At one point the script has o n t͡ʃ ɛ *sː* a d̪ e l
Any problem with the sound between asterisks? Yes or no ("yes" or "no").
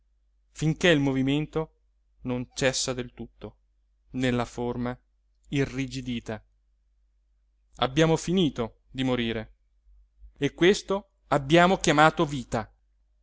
no